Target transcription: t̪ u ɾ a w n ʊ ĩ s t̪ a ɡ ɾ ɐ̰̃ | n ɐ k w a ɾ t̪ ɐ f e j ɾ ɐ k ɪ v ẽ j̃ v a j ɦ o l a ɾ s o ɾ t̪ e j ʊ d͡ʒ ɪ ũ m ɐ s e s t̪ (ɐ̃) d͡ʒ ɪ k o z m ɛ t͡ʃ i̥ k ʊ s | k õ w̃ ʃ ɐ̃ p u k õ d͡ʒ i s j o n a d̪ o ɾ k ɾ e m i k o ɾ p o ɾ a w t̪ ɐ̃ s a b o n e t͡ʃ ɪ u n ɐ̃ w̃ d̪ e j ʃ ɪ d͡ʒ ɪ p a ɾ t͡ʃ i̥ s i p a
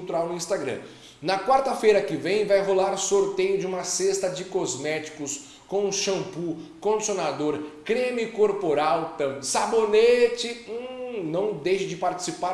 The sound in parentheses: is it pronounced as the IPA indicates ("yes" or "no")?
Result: no